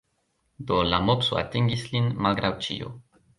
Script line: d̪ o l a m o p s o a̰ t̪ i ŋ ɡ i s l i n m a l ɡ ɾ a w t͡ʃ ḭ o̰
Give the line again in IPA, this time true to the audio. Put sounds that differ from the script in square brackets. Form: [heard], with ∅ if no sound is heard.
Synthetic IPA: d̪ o l a m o p s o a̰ t̪ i ŋ ɡ i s l i n m a l ɡ ɾ a w t͡ʃ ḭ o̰